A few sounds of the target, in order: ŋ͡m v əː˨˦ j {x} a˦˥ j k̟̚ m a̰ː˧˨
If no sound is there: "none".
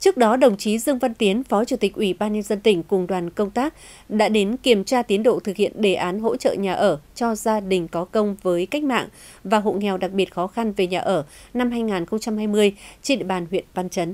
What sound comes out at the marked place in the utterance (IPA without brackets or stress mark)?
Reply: k